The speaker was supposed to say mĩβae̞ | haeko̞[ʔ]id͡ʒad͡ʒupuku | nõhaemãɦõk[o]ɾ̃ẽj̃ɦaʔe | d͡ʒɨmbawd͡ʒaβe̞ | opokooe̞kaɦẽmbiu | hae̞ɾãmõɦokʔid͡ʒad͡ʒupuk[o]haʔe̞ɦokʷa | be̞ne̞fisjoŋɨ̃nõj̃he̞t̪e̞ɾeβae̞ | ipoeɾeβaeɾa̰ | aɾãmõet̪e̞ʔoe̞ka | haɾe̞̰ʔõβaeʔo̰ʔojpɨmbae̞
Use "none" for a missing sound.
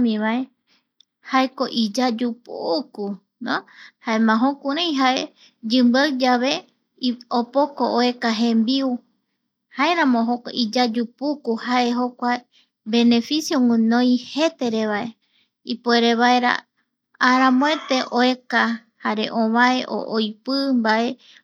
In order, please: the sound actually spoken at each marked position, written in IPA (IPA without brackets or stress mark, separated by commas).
ʔ, u, u